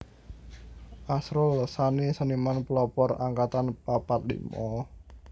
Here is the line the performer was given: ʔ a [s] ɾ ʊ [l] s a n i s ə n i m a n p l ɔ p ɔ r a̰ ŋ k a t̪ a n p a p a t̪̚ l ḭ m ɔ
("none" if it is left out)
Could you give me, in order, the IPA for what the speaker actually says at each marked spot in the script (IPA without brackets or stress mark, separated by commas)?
s, l